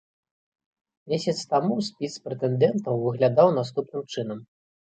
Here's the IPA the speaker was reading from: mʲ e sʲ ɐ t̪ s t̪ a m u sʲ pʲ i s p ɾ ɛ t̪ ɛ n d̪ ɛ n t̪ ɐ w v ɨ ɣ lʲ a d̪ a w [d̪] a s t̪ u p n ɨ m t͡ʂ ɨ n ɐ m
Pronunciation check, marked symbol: incorrect: n̪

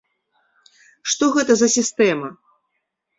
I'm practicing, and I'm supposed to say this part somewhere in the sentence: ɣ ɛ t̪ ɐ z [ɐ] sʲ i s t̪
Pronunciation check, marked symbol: correct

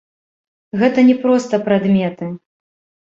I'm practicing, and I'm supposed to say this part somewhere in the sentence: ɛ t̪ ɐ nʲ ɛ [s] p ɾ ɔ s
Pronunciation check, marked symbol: incorrect: none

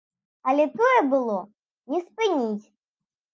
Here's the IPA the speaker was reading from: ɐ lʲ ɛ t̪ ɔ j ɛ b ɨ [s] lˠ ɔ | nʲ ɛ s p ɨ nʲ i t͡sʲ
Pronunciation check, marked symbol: incorrect: none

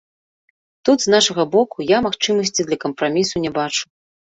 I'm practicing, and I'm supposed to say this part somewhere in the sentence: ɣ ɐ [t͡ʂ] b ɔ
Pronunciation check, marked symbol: incorrect: none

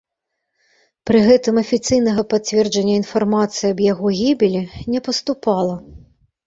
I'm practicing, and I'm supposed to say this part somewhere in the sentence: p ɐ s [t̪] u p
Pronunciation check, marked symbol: correct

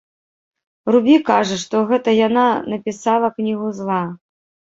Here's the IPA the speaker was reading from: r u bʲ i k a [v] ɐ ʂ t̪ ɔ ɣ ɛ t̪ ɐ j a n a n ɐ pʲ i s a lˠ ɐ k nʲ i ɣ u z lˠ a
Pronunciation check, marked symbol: incorrect: ʐ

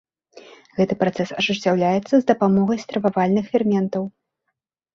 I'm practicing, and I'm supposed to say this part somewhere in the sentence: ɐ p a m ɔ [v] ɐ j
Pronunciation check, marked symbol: incorrect: ɣ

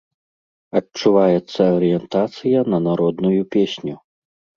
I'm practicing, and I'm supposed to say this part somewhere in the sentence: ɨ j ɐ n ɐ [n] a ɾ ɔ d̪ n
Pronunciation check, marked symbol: correct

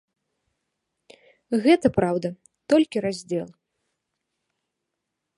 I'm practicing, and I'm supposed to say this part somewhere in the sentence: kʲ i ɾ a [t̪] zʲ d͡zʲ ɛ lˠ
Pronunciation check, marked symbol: incorrect: none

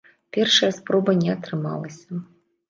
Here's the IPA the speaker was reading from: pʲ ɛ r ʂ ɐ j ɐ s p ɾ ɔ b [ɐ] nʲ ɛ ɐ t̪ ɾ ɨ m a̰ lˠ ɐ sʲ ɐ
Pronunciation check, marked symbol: correct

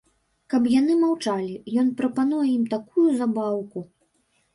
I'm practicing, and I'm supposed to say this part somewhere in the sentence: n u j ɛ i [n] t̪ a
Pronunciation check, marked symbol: incorrect: m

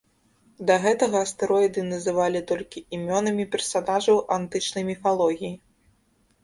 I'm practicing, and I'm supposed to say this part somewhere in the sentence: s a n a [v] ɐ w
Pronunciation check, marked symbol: incorrect: ʐ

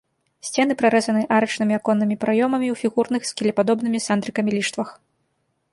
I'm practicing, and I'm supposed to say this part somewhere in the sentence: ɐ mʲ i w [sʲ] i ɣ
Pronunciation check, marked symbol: incorrect: fʲ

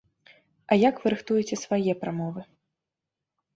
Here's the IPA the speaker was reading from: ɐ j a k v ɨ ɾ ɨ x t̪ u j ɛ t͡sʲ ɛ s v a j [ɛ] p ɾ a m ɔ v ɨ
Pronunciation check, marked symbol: correct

